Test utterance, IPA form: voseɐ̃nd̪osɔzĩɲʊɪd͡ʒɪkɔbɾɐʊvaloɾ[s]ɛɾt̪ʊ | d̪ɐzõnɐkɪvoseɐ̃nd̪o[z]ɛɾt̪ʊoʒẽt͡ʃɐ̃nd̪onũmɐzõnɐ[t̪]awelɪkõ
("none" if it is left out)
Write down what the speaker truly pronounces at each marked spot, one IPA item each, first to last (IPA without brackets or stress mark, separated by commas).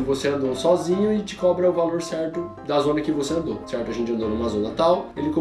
s, s, t̪